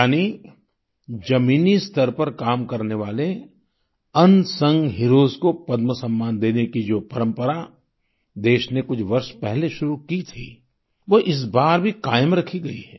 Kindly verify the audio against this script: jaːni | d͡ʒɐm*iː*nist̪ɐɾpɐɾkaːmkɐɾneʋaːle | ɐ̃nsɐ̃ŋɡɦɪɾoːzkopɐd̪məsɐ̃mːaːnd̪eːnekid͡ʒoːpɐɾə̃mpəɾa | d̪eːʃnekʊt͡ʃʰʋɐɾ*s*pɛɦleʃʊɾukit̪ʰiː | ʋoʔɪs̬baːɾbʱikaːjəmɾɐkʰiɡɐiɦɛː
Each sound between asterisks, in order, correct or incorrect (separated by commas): correct, incorrect